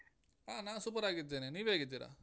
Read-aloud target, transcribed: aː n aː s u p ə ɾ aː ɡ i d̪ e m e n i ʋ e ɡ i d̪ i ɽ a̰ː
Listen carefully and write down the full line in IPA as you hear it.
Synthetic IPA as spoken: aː n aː s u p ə ɾ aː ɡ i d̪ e n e n i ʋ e ɡ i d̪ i ɾ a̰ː